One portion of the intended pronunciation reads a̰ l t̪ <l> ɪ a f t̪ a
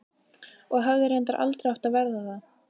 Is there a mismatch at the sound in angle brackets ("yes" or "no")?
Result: yes